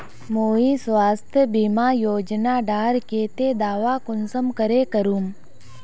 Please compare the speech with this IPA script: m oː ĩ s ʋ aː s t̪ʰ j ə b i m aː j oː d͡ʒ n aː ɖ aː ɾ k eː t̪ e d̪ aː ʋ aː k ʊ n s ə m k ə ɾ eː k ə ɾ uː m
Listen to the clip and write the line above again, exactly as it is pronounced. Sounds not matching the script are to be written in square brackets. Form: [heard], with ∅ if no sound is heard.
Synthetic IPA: m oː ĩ s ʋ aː s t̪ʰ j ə b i m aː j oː d͡ʒ n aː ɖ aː ɾ k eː t̪ e d̪ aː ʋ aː k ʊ n s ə m k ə ɾ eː k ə ɾ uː m